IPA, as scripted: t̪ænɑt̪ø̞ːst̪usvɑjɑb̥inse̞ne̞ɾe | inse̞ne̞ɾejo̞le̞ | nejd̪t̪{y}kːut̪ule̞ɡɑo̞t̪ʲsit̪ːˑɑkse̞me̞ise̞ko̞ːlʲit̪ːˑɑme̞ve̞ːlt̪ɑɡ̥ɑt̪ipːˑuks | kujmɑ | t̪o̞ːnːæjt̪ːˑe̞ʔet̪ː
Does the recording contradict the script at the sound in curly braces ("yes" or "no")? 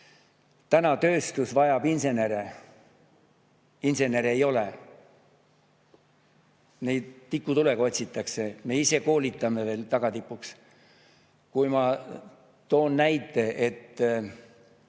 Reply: yes